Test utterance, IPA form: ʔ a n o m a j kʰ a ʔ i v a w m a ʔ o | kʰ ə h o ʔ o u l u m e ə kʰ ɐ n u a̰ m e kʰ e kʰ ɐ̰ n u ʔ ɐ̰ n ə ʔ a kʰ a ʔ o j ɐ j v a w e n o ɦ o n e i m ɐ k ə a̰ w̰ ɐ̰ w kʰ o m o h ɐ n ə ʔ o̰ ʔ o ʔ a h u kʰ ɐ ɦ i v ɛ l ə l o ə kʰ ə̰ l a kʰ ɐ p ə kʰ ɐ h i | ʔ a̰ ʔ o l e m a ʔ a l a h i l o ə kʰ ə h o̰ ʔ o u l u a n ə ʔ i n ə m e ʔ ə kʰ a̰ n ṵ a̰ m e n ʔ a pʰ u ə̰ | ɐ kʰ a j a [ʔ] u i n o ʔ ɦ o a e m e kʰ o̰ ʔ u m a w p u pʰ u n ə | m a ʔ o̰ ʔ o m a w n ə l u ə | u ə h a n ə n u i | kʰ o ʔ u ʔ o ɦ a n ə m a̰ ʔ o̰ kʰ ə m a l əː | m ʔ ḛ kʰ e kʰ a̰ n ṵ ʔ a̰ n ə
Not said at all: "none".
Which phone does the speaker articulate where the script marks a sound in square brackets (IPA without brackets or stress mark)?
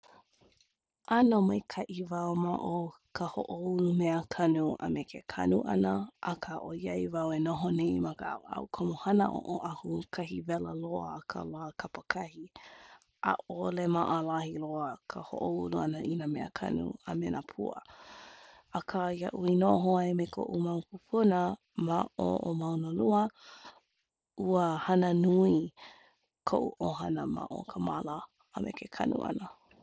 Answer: ʔ